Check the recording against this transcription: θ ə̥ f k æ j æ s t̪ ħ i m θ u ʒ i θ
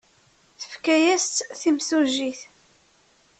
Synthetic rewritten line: θ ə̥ f k æ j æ s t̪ θ i m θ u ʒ i θ